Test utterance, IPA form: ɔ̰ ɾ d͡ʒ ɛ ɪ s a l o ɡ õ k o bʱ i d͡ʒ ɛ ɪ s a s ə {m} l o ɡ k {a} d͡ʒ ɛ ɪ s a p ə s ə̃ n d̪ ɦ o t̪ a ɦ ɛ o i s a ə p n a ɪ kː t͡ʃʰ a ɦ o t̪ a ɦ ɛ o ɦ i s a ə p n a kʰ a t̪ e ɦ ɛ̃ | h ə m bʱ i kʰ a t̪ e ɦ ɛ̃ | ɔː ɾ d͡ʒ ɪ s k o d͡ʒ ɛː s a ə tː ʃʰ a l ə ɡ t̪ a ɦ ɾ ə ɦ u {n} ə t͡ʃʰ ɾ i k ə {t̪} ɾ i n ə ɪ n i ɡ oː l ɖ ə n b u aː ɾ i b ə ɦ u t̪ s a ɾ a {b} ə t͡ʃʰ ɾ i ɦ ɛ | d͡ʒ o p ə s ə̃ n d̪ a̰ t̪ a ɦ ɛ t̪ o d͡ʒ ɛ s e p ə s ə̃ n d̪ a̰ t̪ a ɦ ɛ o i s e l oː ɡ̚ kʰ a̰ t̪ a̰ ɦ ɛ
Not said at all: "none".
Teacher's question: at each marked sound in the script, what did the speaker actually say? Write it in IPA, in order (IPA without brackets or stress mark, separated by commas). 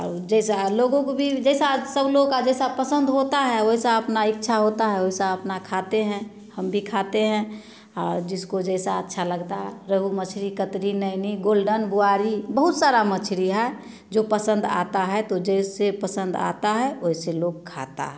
b, a, m, t̪, m